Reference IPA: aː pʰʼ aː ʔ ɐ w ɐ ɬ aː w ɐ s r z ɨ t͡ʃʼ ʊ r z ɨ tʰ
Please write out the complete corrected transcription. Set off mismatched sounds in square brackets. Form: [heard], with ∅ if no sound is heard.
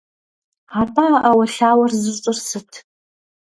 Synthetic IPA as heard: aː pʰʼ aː ʔ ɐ w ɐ ɬ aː w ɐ [∅] r z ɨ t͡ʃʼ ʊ r [s] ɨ tʰ